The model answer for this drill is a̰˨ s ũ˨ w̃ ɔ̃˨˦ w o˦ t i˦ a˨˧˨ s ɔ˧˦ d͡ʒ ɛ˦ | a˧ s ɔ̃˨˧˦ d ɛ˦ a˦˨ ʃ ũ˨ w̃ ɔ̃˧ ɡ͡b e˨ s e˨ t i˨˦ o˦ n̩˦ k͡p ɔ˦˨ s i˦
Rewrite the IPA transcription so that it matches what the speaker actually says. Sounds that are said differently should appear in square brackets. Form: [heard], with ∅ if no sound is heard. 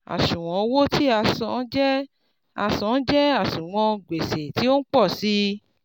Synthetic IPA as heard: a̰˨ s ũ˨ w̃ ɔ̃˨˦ w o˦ t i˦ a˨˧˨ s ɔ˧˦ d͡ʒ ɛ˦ | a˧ s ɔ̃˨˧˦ [d͡ʒ] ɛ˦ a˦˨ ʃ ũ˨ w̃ ɔ̃˧ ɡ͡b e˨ s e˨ t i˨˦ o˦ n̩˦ k͡p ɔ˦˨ s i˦

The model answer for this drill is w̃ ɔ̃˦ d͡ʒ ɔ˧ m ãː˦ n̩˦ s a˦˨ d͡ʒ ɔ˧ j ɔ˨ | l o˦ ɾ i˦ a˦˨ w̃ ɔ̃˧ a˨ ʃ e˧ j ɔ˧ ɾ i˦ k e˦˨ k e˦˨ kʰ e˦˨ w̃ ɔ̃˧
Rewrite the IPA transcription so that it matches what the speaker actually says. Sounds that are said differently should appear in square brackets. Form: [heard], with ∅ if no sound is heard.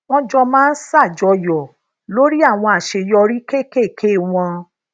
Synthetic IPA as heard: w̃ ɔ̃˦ d͡ʒ ɔ˧ m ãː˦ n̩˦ s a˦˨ d͡ʒ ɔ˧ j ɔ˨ | l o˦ ɾ i˦ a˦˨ w̃ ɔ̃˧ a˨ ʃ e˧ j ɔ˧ ɾ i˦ k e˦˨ k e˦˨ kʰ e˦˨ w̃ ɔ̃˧

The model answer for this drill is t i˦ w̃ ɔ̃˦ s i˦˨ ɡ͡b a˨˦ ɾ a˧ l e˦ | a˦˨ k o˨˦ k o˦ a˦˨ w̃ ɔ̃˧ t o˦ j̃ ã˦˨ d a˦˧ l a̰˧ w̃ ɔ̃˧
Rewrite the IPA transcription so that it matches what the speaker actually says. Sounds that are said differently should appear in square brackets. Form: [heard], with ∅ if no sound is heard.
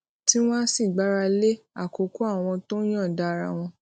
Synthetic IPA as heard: t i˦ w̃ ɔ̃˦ s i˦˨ ɡ͡b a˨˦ ɾ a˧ l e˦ | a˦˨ k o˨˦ k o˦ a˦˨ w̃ ɔ̃˧ t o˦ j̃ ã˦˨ d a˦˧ [ɾ] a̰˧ w̃ ɔ̃˧

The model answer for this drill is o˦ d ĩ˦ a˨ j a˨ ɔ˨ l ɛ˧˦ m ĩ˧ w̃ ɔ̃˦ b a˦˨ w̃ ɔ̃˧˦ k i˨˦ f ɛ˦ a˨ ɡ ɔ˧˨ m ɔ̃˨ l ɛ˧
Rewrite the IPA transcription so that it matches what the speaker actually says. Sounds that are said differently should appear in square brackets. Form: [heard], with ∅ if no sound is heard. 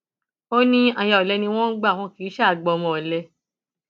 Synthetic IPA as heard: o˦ [n] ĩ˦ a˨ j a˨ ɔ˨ l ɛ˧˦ [n] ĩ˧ w̃ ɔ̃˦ [ɡ͡b] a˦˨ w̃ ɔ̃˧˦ k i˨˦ [ʃ] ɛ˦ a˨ [ɡ͡b] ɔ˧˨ m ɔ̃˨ l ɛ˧

